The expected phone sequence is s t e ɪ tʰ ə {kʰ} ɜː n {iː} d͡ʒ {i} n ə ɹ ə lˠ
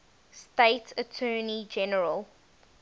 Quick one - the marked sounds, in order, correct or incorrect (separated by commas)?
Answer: incorrect, incorrect, incorrect